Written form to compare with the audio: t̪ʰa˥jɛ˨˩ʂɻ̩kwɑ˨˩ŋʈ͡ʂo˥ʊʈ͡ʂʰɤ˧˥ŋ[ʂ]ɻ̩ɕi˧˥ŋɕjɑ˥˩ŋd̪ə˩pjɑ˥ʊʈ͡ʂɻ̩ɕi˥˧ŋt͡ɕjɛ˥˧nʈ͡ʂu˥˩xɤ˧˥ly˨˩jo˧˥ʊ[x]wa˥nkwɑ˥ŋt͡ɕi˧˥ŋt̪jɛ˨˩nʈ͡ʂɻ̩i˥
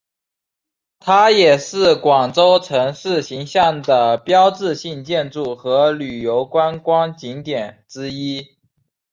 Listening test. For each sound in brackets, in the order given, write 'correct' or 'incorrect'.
correct, incorrect: k

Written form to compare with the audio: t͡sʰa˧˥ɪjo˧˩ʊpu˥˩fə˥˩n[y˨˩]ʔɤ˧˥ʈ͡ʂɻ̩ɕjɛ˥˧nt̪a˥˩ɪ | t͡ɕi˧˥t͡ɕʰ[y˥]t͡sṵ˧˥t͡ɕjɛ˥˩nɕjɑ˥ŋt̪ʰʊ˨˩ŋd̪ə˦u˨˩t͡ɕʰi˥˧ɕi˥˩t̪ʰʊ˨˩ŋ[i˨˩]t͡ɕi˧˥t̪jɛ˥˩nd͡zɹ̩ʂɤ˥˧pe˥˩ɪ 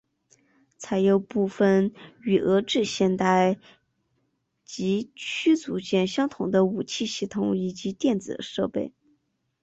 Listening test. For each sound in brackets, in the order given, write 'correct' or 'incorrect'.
correct, correct, correct

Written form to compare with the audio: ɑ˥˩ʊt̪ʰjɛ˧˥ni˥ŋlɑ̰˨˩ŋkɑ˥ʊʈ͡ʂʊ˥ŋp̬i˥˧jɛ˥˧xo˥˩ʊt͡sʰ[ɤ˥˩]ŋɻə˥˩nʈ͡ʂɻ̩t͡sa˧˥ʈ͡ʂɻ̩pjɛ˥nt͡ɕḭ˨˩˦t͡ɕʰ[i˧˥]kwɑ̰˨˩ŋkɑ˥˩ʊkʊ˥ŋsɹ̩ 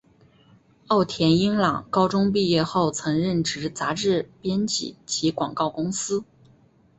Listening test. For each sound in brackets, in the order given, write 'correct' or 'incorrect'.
incorrect: ɤ˧˥, correct

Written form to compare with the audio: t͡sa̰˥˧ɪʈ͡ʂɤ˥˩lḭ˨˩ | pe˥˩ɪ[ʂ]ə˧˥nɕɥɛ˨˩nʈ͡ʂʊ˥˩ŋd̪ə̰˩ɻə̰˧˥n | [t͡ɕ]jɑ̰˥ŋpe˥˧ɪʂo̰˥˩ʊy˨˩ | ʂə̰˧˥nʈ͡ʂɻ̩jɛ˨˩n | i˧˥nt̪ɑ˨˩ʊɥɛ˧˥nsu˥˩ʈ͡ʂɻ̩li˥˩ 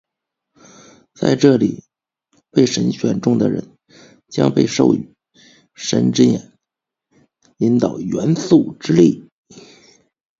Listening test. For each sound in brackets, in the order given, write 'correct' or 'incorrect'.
correct, correct

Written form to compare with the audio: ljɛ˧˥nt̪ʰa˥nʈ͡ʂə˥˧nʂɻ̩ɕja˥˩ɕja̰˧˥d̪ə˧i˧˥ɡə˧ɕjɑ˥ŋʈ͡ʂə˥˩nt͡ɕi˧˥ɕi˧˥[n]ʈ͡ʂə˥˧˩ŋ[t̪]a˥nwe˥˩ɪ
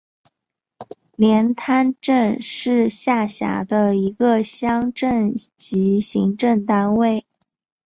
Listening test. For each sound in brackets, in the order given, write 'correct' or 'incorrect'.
incorrect: ŋ, correct

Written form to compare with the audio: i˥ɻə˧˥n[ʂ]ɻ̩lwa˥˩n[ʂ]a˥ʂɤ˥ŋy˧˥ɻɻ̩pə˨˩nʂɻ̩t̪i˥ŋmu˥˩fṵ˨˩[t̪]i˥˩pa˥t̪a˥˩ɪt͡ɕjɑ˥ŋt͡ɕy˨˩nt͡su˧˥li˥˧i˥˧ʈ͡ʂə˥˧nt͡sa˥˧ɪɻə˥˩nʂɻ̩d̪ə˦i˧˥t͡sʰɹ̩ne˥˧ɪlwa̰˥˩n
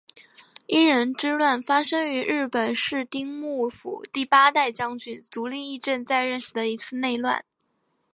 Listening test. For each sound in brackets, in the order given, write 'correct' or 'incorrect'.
incorrect: ʈ͡ʂ, incorrect: f, correct

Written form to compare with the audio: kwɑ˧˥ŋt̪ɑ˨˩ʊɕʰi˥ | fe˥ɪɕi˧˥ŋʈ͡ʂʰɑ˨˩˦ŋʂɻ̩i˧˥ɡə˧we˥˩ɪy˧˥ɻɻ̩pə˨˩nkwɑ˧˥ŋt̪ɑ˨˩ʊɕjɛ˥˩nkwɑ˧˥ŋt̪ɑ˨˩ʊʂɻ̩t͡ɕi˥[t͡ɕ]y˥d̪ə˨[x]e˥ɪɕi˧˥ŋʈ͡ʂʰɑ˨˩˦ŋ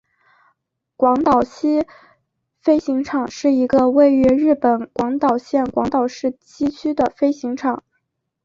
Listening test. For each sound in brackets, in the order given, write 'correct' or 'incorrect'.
incorrect: t͡ɕʰ, incorrect: f

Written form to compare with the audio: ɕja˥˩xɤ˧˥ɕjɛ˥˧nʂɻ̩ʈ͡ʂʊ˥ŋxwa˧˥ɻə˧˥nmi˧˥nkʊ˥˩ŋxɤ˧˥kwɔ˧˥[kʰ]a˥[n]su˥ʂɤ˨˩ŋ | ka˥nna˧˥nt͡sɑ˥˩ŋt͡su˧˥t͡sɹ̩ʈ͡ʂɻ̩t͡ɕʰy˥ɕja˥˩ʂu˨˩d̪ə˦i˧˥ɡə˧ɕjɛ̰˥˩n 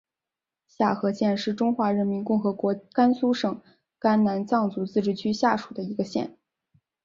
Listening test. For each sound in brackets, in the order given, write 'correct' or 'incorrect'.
incorrect: k, correct

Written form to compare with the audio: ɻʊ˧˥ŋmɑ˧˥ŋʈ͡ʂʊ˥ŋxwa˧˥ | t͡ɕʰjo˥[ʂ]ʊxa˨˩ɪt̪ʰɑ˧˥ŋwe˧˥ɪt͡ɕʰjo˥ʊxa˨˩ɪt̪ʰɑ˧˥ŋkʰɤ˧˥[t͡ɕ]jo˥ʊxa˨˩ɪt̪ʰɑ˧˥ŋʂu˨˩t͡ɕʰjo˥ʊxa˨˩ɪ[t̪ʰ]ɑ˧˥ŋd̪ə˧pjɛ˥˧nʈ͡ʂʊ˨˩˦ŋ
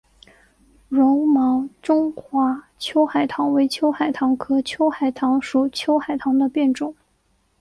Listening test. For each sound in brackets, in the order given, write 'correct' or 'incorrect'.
incorrect: none, incorrect: t͡ɕʰ, correct

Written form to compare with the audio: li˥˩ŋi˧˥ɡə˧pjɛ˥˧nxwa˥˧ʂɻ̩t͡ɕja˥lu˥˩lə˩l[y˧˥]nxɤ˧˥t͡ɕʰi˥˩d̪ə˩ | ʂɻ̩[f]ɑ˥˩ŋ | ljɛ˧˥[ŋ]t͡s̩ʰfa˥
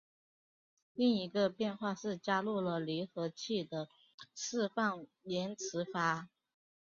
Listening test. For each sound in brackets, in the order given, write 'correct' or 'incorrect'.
incorrect: i˧˥, correct, incorrect: n

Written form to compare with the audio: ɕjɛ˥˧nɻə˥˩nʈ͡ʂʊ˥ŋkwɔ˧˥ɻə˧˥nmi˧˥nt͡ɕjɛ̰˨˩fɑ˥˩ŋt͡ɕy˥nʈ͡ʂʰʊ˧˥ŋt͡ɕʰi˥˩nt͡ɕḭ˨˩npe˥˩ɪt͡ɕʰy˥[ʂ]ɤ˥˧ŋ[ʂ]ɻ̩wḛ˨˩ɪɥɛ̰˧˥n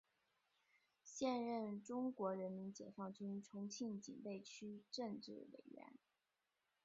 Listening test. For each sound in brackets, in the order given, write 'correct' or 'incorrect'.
incorrect: ʈ͡ʂ, incorrect: ʈ͡ʂ

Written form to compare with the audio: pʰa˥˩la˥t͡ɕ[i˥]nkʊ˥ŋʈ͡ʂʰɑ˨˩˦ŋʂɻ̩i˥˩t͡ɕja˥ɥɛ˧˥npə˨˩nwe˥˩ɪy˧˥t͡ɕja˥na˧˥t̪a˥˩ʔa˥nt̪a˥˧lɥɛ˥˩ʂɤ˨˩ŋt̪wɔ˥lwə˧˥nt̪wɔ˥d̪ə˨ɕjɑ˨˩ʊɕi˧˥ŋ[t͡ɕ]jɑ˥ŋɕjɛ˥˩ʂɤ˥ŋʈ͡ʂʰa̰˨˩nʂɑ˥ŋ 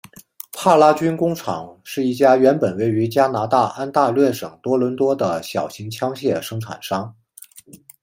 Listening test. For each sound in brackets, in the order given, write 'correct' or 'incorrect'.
incorrect: y˥, incorrect: t͡ɕʰ

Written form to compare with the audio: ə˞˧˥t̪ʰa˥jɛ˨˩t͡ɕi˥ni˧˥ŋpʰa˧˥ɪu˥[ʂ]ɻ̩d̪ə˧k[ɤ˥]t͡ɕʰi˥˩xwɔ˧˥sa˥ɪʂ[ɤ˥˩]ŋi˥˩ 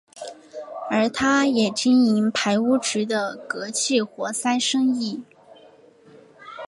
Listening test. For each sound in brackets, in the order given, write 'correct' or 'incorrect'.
incorrect: ʈ͡ʂ, incorrect: ɤ˧˥, incorrect: ɤ˥

